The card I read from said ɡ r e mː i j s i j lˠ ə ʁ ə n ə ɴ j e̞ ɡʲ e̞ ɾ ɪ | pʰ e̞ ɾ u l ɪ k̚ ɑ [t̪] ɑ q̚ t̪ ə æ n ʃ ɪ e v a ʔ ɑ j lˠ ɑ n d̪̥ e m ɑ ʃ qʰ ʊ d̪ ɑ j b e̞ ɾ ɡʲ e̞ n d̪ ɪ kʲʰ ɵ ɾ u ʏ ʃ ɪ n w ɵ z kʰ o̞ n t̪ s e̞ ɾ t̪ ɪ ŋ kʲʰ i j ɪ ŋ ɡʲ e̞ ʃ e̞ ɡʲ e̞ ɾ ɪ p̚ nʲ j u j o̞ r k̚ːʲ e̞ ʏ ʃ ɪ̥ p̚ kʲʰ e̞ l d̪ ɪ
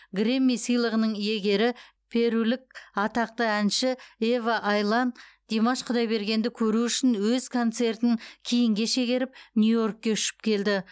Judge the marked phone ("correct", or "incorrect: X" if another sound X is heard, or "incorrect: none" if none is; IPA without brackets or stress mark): correct